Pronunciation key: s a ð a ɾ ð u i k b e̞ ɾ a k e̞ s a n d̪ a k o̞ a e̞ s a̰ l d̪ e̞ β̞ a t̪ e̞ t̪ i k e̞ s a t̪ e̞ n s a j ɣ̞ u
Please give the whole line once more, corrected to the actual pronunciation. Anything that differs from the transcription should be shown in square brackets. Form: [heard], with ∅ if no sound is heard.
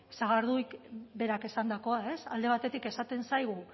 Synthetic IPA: s a [ɣ] a ɾ ð u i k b e̞ ɾ a k e̞ s a n d̪ a k o̞ a e̞ s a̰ l d̪ e̞ β̞ a t̪ e̞ t̪ i k e̞ s a t̪ e̞ n s a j ɣ̞ u

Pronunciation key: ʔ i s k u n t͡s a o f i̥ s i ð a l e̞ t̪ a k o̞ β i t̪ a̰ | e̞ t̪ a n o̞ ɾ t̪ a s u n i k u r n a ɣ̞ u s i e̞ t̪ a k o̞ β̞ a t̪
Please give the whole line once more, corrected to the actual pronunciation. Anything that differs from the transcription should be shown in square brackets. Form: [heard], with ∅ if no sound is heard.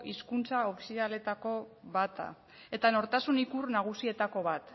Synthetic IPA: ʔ i s k u n t͡s a o f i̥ s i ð a l e̞ t̪ a k o̞ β [a] t̪ a̰ | e̞ t̪ a n o̞ ɾ t̪ a s u n i k u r n a ɣ̞ u s i e̞ t̪ a k o̞ β̞ a t̪

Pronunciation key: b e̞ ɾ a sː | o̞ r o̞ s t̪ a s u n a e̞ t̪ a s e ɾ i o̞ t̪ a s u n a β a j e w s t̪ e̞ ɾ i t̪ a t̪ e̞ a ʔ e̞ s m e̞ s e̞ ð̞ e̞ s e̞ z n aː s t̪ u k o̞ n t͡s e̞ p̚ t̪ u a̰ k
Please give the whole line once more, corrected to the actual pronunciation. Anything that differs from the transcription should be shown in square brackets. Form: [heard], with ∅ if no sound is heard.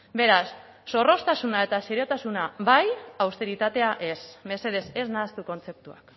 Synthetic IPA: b e̞ ɾ a sː | o̞ r o̞ s t̪ a s u n a e̞ t̪ a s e ɾ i o̞ t̪ a s u n a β a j [a] w s t̪ e̞ ɾ i t̪ a t̪ e̞ a ʔ e̞ s m e̞ s e̞ ð̞ e̞ s e̞ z n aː s t̪ u k o̞ n t͡s e̞ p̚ t̪ u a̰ k

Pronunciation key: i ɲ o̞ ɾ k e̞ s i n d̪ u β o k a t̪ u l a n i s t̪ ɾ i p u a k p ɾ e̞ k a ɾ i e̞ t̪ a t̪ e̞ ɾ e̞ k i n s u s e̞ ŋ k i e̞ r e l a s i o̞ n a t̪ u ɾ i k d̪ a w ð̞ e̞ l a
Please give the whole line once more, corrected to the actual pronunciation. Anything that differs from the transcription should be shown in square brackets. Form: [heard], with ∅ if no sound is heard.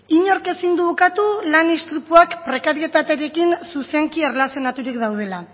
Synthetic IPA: i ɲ o̞ ɾ k e̞ s i n d̪ u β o k a t̪ u l a n i s t̪ ɾ i p u a k p ɾ e̞ k a ɾ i e̞ t̪ a t̪ e̞ ɾ e̞ k i n s u s e̞ ŋ k i e̞ r e l a s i o̞ n a t̪ u ɾ i k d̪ a w ð̞ e̞ l a

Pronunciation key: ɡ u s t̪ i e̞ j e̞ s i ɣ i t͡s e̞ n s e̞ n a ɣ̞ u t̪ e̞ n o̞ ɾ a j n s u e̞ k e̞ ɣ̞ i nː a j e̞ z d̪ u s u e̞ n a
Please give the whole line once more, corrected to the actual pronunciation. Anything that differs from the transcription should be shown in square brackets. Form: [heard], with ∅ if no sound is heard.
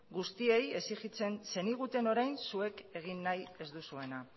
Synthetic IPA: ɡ u s t̪ i e̞ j e̞ s i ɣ i t͡s e̞ n s e̞ n [i] ɣ̞ u t̪ e̞ n o̞ ɾ a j n s u e̞ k e̞ ɣ̞ i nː a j e̞ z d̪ u s u e̞ n a

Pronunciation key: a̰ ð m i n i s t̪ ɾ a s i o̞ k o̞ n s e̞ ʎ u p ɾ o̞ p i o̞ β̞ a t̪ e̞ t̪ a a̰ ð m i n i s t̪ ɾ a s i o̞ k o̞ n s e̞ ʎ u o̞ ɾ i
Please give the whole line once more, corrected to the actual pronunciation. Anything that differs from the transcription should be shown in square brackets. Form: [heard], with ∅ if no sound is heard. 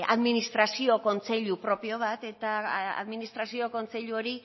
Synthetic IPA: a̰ ð m i n i s t̪ ɾ a s i o̞ k o̞ n [t͡s] e̞ ʎ u p ɾ o̞ p i o̞ β̞ a t̪ e̞ t̪ a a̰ ð m i n i s t̪ ɾ a s i o̞ k o̞ n [t͡s] e̞ ʎ u o̞ ɾ i

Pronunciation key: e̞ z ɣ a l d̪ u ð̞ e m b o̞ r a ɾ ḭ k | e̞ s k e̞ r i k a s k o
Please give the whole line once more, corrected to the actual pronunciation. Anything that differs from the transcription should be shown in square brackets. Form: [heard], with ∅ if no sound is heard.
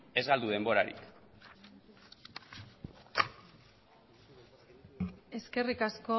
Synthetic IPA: e̞ z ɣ a l d̪ u ð̞ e m b o̞ [ɾ] a ɾ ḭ k | e̞ s k e̞ r i k a s k o

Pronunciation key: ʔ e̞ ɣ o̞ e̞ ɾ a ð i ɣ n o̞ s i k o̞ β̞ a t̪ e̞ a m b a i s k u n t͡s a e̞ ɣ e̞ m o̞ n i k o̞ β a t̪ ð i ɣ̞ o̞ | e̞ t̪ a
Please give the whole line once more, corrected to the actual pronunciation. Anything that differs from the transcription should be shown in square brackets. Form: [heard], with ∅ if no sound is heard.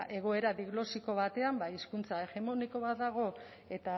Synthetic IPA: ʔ e̞ ɣ o̞ e̞ ɾ a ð i ɣ n o̞ s i k o̞ β̞ a t̪ e̞ a m b a i s k u n t͡s a e̞ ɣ e̞ m o̞ n i k o̞ β a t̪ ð [a] ɣ̞ o̞ | e̞ t̪ a

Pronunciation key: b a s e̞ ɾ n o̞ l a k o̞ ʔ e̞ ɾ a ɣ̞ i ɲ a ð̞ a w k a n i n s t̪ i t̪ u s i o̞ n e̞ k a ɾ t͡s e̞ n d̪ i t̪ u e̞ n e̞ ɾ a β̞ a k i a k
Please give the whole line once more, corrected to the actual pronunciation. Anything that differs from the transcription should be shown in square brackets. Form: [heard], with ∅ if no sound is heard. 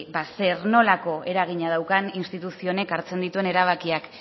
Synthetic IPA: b a s e̞ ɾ n o̞ l a k o̞ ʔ e̞ ɾ a ɣ̞ i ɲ a ð̞ a w k a n i n s t̪ i t̪ u s i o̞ n e̞ k a ɾ t͡s e̞ n d̪ i t̪ u e̞ n e̞ ɾ a β̞ a k i a k

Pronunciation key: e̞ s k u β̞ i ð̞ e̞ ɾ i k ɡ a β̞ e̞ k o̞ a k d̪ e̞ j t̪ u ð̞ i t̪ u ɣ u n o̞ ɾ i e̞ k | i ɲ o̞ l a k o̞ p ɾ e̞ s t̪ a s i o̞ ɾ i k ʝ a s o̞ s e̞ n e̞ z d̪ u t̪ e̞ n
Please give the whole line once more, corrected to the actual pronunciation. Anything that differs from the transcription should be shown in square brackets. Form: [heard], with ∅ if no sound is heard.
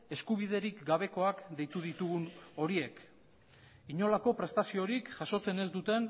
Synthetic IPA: e̞ s k u β̞ i ð̞ e̞ ɾ i k ɡ a β̞ e̞ k o̞ a k d̪ e̞ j t̪ u ð̞ i t̪ u ɣ u n o̞ ɾ i e̞ k | i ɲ o̞ l a k o̞ p ɾ e̞ s t̪ a s i o̞ ɾ i k ʝ a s o̞ [t͡s] e̞ n e̞ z d̪ u t̪ e̞ n

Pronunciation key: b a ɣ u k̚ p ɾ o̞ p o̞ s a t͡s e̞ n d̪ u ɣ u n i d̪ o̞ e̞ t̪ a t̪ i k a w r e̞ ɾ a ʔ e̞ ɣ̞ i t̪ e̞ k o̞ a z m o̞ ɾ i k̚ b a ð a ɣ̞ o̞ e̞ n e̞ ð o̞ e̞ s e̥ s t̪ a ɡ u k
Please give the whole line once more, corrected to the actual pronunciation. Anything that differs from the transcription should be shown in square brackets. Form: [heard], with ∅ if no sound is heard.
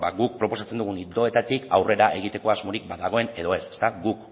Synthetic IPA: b a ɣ u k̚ p ɾ o̞ p o̞ s a t͡s e̞ n d̪ u ɣ u n i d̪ o̞ e̞ t̪ a t̪ i k a w r e̞ ɾ a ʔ e̞ ɣ̞ i t̪ e̞ k o̞ a z m o̞ ɾ i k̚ b a ð a ɣ̞ o̞ e̞ n e̞ ð o̞ e̞ s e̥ s t̪ a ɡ u k

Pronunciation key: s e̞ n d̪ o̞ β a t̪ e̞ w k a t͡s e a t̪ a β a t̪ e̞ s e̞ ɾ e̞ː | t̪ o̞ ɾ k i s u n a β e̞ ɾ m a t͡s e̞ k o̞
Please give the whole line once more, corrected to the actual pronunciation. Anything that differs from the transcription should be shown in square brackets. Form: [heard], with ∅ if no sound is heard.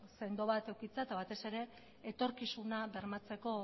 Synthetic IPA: s e̞ n d̪ o̞ β a t̪ e̞ w k [i] t͡s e a t̪ a β a t̪ e̞ s e̞ ɾ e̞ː | t̪ o̞ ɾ k i s u n a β e̞ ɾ m a t͡s e̞ k o̞

